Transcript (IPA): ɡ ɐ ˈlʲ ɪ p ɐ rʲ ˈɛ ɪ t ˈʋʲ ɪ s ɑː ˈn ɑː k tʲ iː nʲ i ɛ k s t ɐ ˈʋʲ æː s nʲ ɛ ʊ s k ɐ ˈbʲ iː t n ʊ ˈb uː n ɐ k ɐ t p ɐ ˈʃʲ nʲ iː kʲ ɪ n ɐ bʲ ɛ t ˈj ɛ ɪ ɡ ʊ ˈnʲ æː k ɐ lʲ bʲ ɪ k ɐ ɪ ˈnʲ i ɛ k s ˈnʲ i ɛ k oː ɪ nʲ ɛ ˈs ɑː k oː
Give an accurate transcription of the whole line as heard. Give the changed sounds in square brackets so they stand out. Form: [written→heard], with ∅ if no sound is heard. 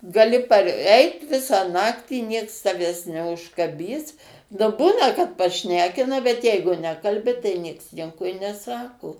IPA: ɡ ɐ ˈlʲ ɪ p ɐ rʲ ˈɛ ɪ t ˈʋʲ ɪ s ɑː ˈn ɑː k tʲ iː nʲ i ɛ k s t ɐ ˈʋʲ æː s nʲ ɛ ʊ [s→ʃ] k ɐ ˈbʲ iː [t→s] n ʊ ˈb uː n ɐ k ɐ t p ɐ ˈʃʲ nʲ [iː→æː] kʲ ɪ n ɐ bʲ ɛ t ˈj ɛ ɪ ɡ ʊ ˈnʲ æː k ɐ lʲ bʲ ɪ [k→t] ɐ ɪ ˈnʲ i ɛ k s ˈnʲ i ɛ k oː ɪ nʲ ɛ ˈs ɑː k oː